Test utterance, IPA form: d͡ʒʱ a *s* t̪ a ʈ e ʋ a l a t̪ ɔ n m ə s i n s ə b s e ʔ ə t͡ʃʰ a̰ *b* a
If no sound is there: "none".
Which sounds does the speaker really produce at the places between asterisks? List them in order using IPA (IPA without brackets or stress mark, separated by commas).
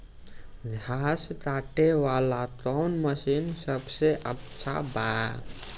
s, b